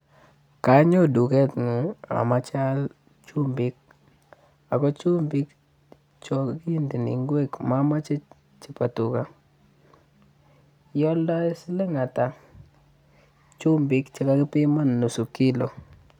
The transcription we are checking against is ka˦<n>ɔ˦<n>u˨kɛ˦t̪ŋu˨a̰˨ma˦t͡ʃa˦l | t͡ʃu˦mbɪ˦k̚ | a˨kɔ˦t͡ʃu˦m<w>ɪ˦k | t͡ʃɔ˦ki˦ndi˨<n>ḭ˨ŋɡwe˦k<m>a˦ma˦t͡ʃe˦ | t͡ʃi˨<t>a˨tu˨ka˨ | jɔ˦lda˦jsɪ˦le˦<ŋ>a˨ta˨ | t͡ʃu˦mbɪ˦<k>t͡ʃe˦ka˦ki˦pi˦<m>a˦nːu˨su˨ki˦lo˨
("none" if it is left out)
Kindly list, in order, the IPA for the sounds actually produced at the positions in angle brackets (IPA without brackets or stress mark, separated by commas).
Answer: ɲ, d, b, n, m, p, ŋ, k, m